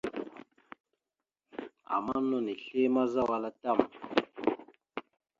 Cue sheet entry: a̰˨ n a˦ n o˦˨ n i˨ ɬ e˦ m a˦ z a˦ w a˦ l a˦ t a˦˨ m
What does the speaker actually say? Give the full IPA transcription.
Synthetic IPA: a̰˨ m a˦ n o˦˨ n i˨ ɬ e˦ m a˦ z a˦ w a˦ l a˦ t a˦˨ m